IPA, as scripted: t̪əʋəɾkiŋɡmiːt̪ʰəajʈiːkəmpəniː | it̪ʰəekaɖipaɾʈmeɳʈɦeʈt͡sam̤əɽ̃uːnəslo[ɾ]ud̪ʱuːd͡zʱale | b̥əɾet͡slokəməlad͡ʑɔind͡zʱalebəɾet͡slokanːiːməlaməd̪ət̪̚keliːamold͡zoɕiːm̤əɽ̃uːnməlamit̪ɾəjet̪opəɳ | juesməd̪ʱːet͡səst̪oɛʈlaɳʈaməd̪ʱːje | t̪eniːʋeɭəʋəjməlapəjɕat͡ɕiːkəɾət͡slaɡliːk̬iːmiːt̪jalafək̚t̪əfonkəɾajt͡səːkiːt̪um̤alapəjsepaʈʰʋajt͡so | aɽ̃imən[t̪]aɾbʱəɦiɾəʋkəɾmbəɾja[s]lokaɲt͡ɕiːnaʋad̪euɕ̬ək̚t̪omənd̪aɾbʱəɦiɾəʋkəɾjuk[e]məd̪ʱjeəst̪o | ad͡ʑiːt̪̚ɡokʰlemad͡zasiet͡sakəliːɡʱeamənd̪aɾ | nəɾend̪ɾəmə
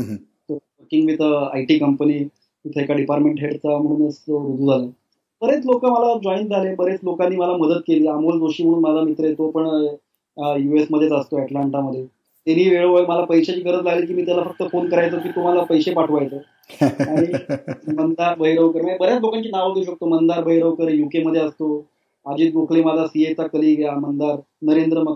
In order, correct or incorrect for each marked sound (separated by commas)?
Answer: correct, incorrect, incorrect, correct